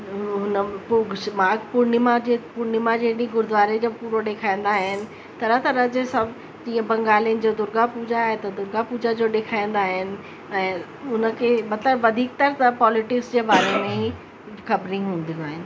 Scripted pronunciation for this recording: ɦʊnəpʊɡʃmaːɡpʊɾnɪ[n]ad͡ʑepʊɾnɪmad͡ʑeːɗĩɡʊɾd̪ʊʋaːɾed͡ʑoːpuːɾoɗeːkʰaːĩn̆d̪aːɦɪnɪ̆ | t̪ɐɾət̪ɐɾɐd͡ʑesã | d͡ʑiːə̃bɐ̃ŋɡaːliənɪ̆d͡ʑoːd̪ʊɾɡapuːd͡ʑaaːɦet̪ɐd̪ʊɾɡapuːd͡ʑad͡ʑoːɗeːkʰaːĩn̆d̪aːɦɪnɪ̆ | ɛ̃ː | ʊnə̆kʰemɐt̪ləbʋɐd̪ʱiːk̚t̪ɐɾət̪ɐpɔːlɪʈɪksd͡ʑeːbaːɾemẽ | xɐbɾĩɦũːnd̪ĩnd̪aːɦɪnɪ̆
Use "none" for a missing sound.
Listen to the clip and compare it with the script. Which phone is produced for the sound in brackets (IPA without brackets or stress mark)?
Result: m